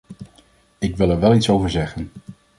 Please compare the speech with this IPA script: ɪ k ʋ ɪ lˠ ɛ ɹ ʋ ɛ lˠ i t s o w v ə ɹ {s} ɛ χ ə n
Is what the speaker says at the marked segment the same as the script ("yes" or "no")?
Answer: no